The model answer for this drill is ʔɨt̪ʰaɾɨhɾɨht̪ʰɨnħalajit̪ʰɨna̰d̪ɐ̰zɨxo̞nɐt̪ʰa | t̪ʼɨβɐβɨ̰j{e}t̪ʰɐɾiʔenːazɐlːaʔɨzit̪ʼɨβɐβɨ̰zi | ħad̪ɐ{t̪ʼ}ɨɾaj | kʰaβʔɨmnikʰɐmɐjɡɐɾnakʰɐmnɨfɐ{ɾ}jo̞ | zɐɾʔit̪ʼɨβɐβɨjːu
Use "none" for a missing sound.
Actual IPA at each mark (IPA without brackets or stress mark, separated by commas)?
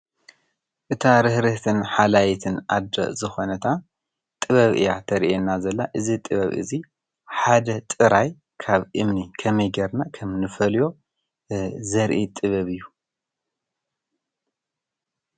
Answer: a, t̪ʼ, l